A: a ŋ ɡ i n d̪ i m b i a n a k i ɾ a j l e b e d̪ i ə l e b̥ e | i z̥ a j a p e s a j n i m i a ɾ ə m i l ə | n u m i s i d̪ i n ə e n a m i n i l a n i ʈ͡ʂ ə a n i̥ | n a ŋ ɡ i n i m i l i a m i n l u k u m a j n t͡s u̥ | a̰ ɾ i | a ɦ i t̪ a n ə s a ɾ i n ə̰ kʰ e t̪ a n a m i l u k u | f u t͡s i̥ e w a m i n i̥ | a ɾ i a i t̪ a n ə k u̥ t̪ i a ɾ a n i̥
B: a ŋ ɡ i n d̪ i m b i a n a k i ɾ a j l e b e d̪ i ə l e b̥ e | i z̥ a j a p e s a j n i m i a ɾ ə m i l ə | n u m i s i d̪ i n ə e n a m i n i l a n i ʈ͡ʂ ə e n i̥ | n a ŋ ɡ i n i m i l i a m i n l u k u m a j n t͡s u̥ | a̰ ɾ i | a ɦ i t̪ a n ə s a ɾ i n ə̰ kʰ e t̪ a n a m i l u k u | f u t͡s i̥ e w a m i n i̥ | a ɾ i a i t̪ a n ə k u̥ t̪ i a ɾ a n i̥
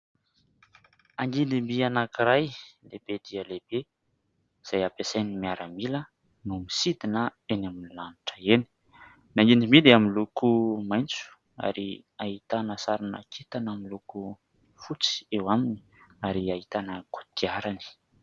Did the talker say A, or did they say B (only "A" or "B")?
B